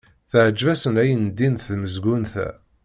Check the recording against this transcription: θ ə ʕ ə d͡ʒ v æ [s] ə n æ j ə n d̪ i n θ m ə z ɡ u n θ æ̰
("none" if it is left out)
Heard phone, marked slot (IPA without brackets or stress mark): s